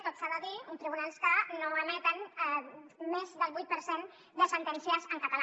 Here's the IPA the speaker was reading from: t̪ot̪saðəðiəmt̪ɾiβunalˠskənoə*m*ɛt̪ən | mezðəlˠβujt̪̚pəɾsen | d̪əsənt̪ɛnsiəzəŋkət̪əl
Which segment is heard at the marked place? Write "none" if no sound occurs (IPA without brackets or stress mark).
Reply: m